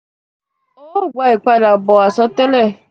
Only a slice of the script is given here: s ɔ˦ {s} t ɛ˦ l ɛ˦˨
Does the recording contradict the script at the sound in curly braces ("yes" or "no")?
yes